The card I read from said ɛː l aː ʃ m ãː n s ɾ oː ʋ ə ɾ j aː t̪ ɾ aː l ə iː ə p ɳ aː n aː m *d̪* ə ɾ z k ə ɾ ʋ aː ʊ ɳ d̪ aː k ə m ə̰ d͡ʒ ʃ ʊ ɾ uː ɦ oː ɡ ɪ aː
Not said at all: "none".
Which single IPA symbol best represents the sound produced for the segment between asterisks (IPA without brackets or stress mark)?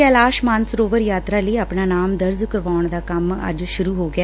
d̪